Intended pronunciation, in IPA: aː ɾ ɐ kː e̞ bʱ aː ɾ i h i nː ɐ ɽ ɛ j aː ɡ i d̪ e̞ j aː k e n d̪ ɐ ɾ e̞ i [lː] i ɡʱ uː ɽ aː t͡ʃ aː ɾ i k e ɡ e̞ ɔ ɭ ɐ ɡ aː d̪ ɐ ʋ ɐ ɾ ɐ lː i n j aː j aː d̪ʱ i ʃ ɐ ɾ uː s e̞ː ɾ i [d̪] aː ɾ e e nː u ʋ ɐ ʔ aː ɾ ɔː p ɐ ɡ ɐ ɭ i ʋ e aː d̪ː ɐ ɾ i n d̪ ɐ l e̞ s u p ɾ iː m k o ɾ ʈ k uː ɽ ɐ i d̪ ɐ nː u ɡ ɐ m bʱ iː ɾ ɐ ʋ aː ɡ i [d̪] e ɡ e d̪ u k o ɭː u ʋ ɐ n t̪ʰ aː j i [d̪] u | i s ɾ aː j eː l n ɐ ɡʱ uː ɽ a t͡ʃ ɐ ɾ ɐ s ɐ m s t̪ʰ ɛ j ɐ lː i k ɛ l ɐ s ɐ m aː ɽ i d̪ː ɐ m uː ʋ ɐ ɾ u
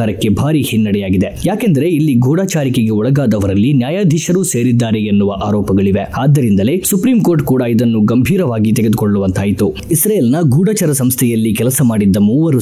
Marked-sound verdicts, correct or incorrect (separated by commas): correct, incorrect, incorrect, incorrect